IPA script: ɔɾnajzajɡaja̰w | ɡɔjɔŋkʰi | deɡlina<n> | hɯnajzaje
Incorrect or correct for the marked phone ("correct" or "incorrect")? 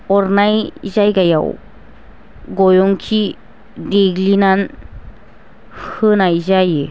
correct